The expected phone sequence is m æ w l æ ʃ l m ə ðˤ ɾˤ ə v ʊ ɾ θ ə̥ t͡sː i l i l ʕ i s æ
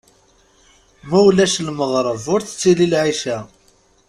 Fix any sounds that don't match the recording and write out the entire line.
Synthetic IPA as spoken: m æ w l æ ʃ l m ə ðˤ ɾˤ ə v ʊ ɾ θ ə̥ t͡sː i l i l ʕ i ʃ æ